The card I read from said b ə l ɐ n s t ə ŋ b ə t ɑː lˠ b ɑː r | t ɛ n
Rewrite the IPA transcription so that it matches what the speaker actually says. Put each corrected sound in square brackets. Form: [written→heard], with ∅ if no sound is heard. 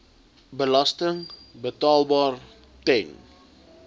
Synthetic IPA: b ə l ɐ [n→∅] s t ə ŋ b ə t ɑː lˠ b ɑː r | t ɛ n